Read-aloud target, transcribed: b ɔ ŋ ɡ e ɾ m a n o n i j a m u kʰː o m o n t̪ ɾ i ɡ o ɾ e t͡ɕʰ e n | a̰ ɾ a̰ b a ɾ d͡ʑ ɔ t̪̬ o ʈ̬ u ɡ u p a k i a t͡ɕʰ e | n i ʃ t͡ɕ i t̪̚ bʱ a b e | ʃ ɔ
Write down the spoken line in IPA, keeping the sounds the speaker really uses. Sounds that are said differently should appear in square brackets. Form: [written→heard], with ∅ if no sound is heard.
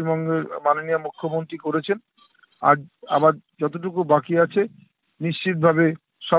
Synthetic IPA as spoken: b ɔ ŋ ɡ e ɾ m a n o n i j a m u kʰː o m o n t̪ ɾ i [ɡ→k] o ɾ e t͡ɕʰ e n | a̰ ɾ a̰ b a ɾ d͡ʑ ɔ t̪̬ o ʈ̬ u [ɡ→k] u [p→b] a k i a t͡ɕʰ e | n i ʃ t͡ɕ i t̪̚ bʱ a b e | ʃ ɔ